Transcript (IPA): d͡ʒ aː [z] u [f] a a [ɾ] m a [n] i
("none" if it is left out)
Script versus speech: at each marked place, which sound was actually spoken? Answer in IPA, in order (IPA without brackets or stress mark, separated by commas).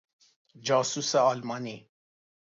s, s, l, n